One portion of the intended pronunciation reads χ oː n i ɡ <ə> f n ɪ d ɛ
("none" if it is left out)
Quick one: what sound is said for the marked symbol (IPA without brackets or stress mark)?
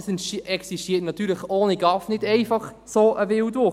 ɑ